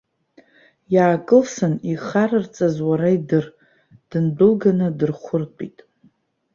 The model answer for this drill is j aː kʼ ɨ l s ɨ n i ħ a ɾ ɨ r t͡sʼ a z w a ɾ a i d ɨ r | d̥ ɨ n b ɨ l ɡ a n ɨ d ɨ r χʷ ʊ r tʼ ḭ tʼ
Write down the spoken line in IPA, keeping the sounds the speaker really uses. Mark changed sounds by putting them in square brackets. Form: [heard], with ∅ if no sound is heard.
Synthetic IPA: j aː kʼ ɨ l s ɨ n i [χ] a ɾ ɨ r t͡sʼ a z w a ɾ a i d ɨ r | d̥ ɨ n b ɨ l ɡ a n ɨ d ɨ r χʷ ʊ r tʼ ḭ tʼ